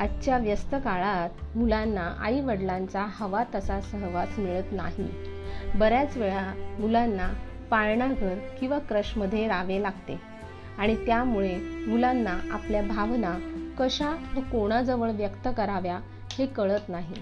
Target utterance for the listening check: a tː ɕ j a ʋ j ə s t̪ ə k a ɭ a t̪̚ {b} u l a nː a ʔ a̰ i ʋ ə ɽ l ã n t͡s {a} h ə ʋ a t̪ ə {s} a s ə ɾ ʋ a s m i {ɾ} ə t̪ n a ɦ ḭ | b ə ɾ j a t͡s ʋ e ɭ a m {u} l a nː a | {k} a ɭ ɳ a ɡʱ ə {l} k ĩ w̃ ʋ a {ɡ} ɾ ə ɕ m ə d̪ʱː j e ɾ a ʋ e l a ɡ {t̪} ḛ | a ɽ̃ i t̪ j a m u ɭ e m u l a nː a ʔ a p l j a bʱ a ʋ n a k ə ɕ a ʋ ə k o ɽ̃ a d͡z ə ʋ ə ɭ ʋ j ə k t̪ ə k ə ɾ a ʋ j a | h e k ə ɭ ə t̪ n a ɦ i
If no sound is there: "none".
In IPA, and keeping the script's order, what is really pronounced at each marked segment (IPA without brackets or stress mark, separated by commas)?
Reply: m, a, s, ɭ, u, p, ɾ, k, t̪